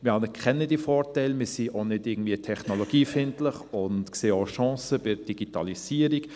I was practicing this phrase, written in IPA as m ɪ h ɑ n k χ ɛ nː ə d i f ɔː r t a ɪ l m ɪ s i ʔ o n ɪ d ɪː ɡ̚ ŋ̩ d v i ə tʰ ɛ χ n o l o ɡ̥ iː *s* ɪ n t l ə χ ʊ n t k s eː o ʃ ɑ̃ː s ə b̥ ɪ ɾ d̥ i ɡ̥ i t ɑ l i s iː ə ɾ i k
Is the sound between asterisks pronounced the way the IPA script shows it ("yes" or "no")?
no